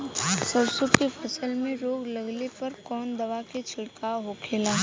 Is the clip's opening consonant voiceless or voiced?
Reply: voiceless